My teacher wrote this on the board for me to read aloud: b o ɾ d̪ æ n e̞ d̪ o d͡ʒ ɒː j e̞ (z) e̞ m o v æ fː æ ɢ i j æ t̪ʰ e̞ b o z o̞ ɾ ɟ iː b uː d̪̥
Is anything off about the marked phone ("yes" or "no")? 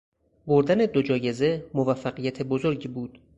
no